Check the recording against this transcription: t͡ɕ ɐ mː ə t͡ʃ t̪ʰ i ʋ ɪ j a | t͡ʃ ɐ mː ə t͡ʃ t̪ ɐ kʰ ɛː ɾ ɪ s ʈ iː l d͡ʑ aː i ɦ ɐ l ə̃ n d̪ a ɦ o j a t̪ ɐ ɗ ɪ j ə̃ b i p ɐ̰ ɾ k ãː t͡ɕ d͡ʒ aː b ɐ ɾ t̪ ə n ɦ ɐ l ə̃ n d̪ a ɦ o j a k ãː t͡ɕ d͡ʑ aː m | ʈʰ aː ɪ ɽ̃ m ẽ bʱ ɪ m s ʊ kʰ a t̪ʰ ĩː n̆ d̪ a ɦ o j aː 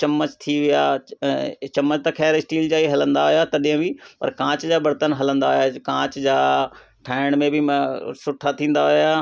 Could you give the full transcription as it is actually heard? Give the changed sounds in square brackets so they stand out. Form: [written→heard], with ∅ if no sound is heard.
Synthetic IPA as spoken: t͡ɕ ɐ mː ə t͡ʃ t̪ʰ i ʋ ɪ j a | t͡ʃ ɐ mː ə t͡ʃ t̪ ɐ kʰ ɛː ɾ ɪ s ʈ iː l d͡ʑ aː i ɦ ɐ l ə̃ n d̪ a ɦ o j a t̪ ɐ ɗ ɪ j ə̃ b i p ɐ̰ ɾ k ãː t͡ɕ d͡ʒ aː b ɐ ɾ t̪ ə n ɦ ɐ l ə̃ n d̪ a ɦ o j a k ãː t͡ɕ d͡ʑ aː [m→∅] | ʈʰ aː ɪ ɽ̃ m ẽ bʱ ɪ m s ʊ [kʰ→ʈʰ] a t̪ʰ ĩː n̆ d̪ a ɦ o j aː